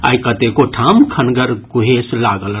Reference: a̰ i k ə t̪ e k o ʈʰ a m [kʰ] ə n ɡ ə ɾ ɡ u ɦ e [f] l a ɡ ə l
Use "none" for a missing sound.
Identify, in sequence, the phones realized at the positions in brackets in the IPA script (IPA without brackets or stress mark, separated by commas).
kʰ, s